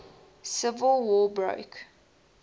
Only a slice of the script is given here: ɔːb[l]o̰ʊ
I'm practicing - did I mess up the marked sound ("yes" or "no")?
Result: yes